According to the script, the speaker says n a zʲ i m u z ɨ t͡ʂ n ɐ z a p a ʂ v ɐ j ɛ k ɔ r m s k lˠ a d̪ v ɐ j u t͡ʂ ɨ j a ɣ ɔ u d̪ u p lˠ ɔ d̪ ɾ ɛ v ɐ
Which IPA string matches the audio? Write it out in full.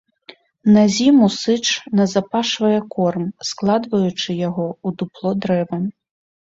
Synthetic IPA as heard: n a zʲ i m u s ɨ t͡ʂ n ɐ z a p a ʂ v ɐ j ɛ k ɔ r m s k lˠ a d̪ v ɐ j u t͡ʂ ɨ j a ɣ ɔ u d̪ u p lˠ ɔ d̪ ɾ ɛ v ɐ